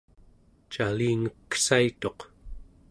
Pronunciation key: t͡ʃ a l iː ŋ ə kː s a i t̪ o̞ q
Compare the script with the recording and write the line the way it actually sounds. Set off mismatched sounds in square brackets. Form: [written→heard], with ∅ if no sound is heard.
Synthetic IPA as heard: t͡ʃ a l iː ŋ ə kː s a i t̪ o̞ q

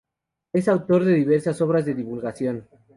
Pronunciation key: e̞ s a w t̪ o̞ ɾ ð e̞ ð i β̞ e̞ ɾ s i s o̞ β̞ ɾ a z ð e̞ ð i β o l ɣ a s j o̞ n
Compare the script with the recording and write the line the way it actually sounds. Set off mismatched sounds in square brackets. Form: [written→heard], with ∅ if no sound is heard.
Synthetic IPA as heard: e̞ s a w t̪ o̞ ɾ ð e̞ ð i β̞ e̞ ɾ s [i→a] s o̞ β̞ ɾ a z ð e̞ ð i β [o→u] l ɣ a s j o̞ n

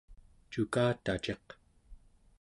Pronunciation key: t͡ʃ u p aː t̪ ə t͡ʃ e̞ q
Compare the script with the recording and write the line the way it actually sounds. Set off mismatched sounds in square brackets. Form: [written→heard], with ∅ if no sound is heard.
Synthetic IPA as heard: t͡ʃ u [p→k] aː t̪ [ə→a] t͡ʃ e̞ q

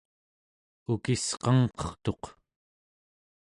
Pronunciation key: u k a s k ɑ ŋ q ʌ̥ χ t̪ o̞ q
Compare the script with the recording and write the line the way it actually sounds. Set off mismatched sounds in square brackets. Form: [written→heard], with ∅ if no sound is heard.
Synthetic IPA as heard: u k [a→i] s [k→q] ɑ ŋ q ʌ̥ χ t̪ o̞ q

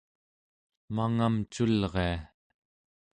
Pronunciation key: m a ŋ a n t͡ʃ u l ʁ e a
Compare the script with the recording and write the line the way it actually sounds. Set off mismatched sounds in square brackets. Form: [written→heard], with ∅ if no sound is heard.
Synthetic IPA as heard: m a ŋ a [n→m] t͡ʃ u l ʁ e a

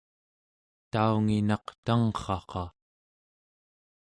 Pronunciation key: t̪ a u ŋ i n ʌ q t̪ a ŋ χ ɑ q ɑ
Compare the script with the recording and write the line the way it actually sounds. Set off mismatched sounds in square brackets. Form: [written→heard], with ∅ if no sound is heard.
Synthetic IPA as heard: t̪ a u ŋ i n [ʌ→ɑ] q t̪ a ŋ χ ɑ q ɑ

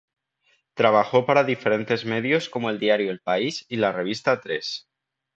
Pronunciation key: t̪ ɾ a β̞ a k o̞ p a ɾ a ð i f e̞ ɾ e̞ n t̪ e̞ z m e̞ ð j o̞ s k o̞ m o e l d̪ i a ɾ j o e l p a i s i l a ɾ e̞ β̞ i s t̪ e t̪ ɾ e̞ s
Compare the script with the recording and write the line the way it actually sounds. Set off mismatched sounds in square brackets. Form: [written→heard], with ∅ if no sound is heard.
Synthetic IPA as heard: t̪ ɾ a β̞ a [k→x] o̞ p a ɾ a ð i f e̞ ɾ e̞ n t̪ e̞ z m e̞ ð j o̞ s k o̞ m o e l d̪ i a ɾ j o e l p a i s i l a [ɾ→r] e̞ β̞ i s t̪ [e→a] t̪ ɾ e̞ s

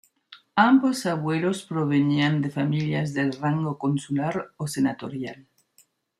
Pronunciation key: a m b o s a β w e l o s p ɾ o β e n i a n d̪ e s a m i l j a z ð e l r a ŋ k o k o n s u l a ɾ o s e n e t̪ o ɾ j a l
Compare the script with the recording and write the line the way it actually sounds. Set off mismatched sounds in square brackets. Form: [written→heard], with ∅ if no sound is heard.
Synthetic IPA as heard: a m b o s a β w e l o s p ɾ o β e n i a n d̪ e [s→f] a m i l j a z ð e l r a ŋ [k→ɡ] o k o n s u l a ɾ o s e n [e→a] t̪ o ɾ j a l

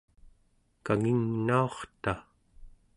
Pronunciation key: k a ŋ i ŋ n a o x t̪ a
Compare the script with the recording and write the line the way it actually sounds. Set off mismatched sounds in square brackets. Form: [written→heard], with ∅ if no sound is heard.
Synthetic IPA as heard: k a ŋ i ŋ n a o [x→χ] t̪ a

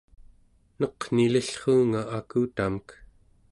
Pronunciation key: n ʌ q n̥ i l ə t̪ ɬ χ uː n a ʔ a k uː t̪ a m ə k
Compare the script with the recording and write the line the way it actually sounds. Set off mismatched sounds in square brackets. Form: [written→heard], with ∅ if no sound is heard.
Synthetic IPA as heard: n ʌ q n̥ i l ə [t̪→∅] ɬ χ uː [n→ŋ] a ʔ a k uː t̪ a m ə k

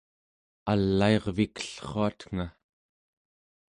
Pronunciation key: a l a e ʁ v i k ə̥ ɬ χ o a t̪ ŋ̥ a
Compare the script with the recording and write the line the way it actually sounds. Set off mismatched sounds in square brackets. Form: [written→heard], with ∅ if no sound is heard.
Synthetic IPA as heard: a [l→lː] a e ʁ v i k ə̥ ɬ χ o a t̪ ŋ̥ a

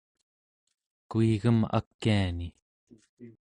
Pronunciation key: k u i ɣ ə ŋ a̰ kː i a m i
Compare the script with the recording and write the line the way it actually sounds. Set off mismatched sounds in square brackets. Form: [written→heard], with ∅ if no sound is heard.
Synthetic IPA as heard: k u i ɣ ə [ŋ→m] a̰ kː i a [m→n] i

